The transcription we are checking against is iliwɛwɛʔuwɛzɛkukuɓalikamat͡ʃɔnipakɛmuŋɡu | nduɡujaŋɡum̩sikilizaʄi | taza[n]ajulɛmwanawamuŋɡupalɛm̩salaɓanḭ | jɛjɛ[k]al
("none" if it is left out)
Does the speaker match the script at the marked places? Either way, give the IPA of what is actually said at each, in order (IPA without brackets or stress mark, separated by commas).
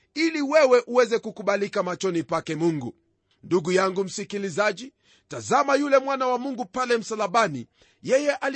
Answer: m, ʔ